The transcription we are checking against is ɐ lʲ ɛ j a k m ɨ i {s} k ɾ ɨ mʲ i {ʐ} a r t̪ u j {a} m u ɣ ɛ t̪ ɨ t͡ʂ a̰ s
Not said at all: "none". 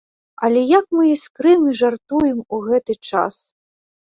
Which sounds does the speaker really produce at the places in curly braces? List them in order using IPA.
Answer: s, ʐ, ɛ

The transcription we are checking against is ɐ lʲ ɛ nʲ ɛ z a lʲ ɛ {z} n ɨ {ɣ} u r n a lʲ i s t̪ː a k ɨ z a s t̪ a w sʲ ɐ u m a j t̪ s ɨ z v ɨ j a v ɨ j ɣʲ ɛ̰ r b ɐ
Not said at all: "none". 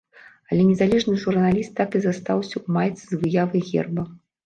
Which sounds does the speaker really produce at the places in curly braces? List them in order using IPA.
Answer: ʐ, ʐ

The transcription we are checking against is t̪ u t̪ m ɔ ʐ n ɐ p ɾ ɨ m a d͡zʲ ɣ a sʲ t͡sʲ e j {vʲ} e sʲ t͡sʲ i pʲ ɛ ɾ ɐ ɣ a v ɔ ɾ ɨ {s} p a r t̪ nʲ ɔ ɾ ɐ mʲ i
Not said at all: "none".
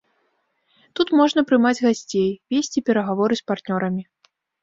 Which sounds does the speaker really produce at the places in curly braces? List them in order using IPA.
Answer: vʲ, s

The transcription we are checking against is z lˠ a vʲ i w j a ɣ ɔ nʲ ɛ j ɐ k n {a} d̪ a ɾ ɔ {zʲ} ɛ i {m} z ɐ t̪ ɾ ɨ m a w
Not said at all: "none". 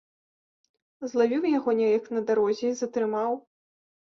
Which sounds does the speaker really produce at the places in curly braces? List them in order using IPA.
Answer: ɐ, zʲ, none

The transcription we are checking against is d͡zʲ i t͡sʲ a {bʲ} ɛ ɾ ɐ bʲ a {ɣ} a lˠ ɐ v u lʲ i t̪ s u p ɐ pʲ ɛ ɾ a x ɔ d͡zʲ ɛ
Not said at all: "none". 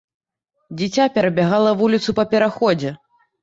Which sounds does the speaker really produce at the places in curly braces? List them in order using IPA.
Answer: pʲ, ɣ

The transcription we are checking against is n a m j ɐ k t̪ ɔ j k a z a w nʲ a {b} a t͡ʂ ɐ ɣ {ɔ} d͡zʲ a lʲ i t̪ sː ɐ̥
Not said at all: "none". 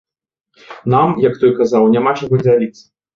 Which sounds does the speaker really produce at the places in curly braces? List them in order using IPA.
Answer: m, ɔ

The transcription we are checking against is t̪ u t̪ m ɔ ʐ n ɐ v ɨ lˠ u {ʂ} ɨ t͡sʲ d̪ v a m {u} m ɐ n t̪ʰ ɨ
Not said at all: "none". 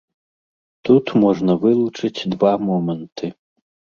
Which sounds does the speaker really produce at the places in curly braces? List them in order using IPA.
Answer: t͡ʂ, ɔ

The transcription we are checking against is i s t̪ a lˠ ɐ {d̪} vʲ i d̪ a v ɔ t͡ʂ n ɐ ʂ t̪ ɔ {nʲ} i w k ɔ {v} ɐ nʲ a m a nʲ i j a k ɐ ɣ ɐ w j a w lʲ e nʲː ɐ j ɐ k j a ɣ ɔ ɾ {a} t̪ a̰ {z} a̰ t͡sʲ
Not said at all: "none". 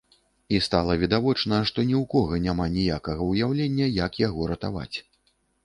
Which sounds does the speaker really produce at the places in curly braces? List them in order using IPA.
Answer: none, nʲ, ɣ, ɐ, v

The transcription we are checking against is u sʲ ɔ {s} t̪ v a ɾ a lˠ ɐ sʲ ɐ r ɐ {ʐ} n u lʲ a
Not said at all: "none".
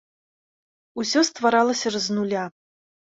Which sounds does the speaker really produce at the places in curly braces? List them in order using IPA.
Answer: s, z

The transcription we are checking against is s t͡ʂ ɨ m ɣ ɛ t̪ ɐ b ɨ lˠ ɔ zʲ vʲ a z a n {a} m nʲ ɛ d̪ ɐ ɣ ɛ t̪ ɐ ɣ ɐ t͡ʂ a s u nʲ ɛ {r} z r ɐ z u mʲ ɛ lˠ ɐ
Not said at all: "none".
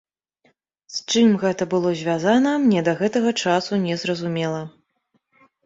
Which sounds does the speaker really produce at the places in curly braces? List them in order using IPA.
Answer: ɐ, none

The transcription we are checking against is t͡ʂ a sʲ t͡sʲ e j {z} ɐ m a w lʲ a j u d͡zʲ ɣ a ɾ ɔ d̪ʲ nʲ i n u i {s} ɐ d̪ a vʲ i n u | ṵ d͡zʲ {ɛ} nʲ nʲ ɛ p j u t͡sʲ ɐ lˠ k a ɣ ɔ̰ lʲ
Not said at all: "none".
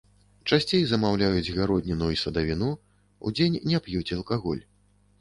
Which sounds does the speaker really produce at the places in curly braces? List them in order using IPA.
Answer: z, s, e

